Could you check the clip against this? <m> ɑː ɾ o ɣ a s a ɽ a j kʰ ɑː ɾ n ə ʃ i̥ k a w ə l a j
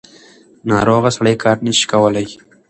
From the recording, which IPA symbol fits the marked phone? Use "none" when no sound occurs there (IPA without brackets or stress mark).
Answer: n